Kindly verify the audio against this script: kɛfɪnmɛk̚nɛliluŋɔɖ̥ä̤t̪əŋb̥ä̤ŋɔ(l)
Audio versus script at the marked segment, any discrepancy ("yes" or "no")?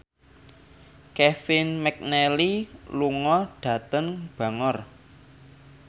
yes